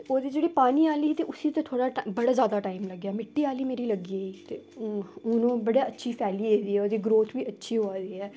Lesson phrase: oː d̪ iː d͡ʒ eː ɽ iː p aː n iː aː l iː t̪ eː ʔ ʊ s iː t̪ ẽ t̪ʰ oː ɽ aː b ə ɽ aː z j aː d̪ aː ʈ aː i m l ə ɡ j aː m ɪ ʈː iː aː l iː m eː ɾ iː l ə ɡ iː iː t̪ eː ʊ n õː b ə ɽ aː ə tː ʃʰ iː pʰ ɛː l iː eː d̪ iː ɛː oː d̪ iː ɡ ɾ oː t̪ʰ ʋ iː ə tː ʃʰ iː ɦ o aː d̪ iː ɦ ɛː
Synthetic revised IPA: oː d̪ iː d͡ʒ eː ɽ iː p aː n iː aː l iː t̪ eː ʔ ʊ s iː t̪ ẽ t̪ʰ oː ɽ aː b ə ɽ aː z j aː d̪ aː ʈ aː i m l ə ɡ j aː m ɪ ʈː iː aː l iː m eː ɾ iː l ə ɡ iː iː t̪ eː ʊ n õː b ə ɽ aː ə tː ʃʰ iː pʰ ɛː l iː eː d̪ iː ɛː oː d̪ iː ɡ ɾ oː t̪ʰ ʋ iː ə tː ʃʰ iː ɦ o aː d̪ iː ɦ ɛː